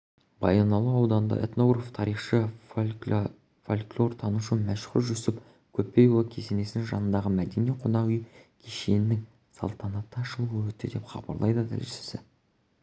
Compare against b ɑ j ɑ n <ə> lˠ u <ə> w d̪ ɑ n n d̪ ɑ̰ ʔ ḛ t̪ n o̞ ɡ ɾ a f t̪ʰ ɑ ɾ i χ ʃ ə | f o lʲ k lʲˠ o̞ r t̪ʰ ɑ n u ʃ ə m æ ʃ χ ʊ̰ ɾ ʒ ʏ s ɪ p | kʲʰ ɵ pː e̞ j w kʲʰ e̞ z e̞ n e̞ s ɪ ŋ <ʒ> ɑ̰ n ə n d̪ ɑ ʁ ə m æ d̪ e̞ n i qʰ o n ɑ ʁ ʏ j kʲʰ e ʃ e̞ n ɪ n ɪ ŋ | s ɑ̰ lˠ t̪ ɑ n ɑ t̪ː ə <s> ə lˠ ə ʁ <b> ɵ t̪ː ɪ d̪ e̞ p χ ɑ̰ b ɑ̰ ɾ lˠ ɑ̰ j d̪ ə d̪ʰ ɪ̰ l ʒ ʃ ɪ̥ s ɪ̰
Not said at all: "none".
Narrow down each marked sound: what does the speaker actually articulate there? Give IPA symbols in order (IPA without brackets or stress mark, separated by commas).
ɑ, ɑ, ʒ, ʃ, w